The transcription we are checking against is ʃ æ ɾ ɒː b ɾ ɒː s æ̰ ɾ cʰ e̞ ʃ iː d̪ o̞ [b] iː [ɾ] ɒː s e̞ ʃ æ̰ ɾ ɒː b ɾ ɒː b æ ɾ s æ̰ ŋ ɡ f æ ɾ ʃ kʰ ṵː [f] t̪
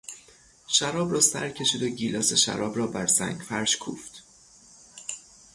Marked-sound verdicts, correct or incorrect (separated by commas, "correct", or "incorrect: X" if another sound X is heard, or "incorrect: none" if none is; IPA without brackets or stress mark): incorrect: ɟ, incorrect: l, correct